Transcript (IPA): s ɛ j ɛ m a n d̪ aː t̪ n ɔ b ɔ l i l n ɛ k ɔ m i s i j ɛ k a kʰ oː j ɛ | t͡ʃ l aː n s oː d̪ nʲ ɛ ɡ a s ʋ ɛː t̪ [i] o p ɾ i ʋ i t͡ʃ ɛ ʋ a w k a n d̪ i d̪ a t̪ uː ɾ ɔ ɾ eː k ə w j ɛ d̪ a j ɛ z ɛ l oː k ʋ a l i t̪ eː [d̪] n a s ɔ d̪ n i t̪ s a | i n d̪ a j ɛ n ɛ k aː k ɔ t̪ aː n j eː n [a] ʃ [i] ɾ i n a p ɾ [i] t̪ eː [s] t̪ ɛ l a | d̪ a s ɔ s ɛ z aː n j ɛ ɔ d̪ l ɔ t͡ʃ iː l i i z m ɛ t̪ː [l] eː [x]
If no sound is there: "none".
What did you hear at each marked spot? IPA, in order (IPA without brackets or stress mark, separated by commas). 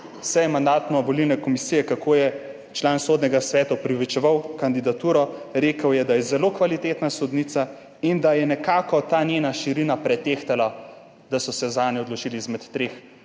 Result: a, t̪, a, i, ɛ, x, ɾ, x